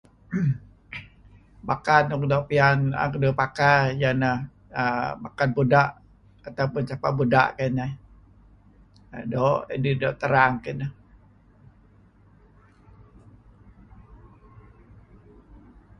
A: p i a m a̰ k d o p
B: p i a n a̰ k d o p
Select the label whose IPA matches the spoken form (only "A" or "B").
B